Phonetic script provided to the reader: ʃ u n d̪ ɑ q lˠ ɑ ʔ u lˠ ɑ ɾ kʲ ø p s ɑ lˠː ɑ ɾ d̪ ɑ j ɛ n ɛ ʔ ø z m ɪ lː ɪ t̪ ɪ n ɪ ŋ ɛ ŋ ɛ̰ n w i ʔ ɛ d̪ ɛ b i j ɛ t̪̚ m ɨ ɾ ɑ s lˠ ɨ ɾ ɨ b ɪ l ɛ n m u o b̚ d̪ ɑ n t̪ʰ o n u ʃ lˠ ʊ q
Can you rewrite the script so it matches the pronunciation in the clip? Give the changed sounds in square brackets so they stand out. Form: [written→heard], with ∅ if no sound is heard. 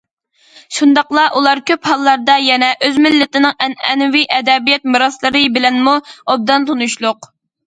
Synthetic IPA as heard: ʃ u n d̪ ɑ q lˠ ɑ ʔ u lˠ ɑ ɾ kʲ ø p [s→h] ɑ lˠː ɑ ɾ d̪ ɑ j ɛ n ɛ ʔ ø z m ɪ lː ɪ t̪ ɪ n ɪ ŋ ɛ [ŋ→n] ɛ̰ n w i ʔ ɛ d̪ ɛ b i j ɛ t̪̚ m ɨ ɾ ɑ s lˠ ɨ ɾ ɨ b ɪ l ɛ n m u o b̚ d̪ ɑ n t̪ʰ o n u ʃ lˠ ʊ q

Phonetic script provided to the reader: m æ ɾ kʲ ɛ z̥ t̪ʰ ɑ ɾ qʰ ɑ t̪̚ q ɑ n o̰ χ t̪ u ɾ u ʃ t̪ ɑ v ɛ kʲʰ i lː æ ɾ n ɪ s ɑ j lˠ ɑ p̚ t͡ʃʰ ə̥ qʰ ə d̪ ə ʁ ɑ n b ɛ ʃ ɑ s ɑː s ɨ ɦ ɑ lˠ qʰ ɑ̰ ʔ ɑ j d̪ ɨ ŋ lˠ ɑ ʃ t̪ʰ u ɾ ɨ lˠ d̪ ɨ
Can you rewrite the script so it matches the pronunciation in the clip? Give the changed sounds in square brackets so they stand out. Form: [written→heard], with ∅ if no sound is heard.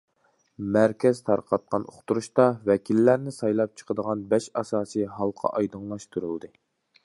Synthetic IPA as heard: m æ ɾ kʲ ɛ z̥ t̪ʰ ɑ ɾ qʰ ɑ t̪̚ q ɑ n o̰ χ t̪ u ɾ u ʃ t̪ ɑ v ɛ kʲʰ i lː æ ɾ n ɪ s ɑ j lˠ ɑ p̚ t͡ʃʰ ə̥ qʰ ə d̪ ə ʁ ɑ n b ɛ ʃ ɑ s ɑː s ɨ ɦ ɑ lˠ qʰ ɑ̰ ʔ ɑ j d̪ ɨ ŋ lˠ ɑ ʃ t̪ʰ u ɾ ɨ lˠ d̪ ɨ

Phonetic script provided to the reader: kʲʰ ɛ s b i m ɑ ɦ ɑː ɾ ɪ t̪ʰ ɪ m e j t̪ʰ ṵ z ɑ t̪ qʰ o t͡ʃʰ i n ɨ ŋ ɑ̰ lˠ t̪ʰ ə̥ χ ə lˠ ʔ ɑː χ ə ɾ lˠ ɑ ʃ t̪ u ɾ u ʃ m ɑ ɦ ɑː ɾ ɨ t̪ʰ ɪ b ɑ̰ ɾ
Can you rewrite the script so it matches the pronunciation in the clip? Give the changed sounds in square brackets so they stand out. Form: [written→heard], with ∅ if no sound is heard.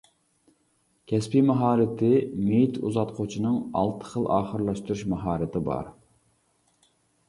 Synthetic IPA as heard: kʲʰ ɛ s [b→p] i m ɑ ɦ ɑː ɾ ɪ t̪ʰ ɪ m e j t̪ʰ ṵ z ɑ t̪ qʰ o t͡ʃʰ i n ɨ ŋ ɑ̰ lˠ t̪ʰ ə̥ χ ə lˠ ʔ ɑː χ ə ɾ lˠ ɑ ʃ t̪ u ɾ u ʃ m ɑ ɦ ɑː ɾ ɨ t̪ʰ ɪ b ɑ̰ ɾ

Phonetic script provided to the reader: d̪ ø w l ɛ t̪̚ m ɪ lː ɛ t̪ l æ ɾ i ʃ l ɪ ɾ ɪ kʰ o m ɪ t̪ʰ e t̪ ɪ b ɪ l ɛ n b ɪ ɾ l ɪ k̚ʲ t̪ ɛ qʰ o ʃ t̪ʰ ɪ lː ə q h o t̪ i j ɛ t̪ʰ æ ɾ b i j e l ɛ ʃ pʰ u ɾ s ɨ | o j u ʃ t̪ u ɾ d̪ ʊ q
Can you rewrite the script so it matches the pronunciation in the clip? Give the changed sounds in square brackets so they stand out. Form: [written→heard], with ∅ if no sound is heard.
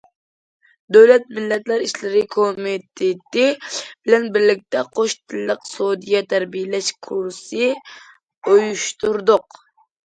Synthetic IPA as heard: d̪ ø w l ɛ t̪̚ m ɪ lː ɛ t̪ l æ ɾ i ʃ l ɪ ɾ ɪ kʰ o m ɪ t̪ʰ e t̪ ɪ b ɪ l ɛ n b ɪ ɾ l ɪ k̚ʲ t̪ ɛ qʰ o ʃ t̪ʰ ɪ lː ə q [h→s] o [t̪→d̪] i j ɛ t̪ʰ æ ɾ b i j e l ɛ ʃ [pʰ→kʰ] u ɾ s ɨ | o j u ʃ t̪ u ɾ d̪ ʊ q

